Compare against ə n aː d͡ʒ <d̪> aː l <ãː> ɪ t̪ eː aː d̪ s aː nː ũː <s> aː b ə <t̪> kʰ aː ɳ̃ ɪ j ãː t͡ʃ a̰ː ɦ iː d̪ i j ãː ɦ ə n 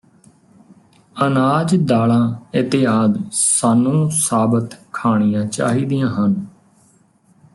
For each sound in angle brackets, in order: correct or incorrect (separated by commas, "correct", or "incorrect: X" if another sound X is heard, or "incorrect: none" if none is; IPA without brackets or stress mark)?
correct, correct, correct, correct